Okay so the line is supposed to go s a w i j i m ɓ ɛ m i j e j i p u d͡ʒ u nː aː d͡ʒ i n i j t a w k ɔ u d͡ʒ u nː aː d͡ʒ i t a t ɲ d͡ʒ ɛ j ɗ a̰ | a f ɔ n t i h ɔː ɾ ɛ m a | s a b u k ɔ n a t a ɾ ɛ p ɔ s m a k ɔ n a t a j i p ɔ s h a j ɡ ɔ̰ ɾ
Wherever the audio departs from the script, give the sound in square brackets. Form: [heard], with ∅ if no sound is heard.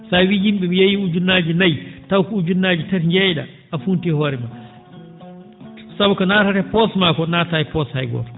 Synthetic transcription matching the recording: s a w i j i m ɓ ɛ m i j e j i [∅] u d͡ʒ u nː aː d͡ʒ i n [a] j t a w k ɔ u d͡ʒ u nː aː d͡ʒ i t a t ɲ d͡ʒ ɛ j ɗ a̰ | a f [u] n t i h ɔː ɾ ɛ m a | s a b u k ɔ n a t a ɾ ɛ p ɔ s m a k ɔ n a t a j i p ɔ s h a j ɡ ɔ̰ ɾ